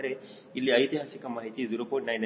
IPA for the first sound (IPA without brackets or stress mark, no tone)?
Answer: ɾ